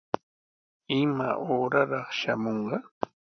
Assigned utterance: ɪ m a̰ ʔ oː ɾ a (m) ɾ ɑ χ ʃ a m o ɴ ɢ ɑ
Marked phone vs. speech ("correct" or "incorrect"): incorrect